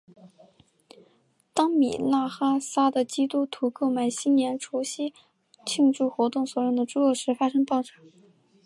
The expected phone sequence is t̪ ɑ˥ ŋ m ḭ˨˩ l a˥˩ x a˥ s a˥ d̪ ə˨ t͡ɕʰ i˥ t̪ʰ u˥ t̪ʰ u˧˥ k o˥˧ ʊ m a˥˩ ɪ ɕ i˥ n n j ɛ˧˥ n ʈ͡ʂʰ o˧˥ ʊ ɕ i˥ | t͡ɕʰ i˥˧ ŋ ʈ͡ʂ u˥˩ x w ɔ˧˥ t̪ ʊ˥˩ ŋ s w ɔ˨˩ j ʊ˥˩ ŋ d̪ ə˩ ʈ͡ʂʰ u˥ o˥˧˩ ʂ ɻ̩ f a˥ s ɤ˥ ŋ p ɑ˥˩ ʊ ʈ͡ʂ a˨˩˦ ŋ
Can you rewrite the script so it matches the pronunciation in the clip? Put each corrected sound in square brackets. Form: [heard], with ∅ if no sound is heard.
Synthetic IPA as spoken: t̪ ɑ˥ ŋ m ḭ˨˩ l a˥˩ x a˥ s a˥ d̪ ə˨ [t͡ɕ] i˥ [t̪] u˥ t̪ʰ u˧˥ k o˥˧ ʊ m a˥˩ ɪ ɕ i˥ n n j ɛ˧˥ n ʈ͡ʂʰ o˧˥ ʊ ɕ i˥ | t͡ɕʰ i˥˧ ŋ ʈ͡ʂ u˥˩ x w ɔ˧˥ t̪ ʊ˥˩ ŋ s w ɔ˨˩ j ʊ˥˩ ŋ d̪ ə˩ [ʈ͡ʂ] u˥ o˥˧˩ ʂ ɻ̩ f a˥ [ʂ] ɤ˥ ŋ p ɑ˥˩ ʊ ʈ͡ʂ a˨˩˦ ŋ